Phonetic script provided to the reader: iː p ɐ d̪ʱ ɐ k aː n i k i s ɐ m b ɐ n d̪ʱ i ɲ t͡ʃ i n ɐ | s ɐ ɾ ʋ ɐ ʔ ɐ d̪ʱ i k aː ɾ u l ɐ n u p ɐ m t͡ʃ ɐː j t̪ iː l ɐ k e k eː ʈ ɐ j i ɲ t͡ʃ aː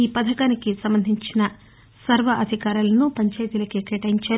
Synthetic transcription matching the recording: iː p ɐ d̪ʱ ɐ k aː n i k i s ɐ m b ɐ n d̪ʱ i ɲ t͡ʃ i n ɐ | s ɐ ɾ ʋ ɐ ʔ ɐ d̪ʱ i k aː ɾ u l ɐ n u p ɐ ɲ t͡ʃ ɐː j t̪ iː l ɐ k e k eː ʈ ɐ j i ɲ t͡ʃ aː